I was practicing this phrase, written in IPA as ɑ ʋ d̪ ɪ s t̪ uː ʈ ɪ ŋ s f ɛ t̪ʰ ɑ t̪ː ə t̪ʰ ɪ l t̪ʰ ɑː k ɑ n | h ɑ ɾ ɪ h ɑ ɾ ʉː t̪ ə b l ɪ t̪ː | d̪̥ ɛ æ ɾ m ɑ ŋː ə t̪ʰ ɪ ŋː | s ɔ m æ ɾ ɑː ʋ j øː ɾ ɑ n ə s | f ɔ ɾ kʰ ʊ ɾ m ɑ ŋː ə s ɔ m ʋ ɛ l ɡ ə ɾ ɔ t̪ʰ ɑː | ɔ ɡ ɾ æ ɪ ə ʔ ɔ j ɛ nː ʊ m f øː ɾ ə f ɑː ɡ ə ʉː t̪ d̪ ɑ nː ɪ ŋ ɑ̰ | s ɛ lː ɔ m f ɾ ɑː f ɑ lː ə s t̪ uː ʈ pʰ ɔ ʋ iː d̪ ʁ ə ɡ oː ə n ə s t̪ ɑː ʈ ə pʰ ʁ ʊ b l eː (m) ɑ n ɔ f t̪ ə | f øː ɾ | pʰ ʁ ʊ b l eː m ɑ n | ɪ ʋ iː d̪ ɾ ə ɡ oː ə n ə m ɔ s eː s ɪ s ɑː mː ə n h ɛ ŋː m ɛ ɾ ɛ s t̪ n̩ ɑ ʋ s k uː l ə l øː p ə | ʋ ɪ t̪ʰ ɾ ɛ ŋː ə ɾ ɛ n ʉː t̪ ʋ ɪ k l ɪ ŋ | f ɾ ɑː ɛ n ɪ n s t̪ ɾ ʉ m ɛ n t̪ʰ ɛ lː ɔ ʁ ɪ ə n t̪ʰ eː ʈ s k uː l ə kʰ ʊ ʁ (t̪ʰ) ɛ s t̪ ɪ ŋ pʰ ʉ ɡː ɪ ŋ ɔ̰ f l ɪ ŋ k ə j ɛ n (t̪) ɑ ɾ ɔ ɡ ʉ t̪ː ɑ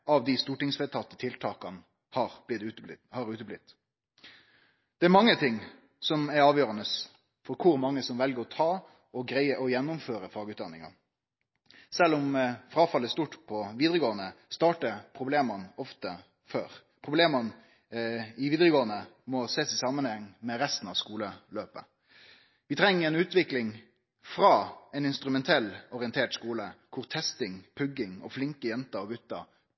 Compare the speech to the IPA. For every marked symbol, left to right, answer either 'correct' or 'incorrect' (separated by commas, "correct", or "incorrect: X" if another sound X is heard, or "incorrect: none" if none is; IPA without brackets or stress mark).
correct, correct, correct